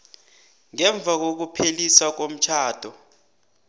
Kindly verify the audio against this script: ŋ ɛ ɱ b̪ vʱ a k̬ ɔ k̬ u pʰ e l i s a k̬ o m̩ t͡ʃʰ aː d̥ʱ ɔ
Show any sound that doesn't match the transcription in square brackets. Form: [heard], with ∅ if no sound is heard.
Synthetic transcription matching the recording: ŋ ɛ ɱ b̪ vʱ a k̬ [o] k̬ u pʰ e l i s a k̬ o m̩ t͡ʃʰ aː d̥ʱ ɔ